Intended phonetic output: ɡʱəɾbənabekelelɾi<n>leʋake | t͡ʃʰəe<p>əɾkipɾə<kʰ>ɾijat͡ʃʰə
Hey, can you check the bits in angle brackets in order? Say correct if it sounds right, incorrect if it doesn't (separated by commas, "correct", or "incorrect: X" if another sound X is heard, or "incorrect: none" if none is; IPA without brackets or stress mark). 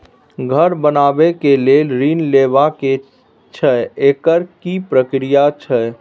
correct, incorrect: k, incorrect: k